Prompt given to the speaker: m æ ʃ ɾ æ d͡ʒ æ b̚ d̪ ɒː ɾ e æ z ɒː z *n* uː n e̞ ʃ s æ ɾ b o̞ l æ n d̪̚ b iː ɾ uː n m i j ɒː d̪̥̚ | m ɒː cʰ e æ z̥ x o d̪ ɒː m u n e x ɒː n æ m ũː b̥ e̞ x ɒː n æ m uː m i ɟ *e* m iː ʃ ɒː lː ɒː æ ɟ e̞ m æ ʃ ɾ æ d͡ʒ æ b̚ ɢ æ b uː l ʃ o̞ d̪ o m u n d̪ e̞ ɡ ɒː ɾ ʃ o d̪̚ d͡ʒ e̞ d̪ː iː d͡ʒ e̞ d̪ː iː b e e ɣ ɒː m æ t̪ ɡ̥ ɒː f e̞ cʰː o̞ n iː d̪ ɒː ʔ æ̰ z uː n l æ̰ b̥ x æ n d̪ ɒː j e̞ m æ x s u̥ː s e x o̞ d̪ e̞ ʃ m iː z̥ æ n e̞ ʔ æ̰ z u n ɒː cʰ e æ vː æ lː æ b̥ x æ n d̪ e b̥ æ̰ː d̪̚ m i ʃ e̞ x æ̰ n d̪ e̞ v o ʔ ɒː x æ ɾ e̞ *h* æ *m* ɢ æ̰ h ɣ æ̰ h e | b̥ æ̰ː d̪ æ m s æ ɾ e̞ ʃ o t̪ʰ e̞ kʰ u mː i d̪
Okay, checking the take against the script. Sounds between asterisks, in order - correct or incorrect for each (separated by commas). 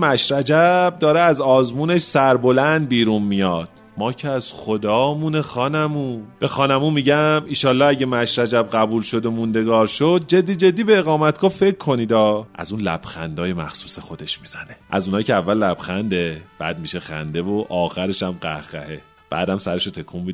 incorrect, incorrect, incorrect, correct